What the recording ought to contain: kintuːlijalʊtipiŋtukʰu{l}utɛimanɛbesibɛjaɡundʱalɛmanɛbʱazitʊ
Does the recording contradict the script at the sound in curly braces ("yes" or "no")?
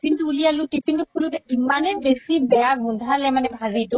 no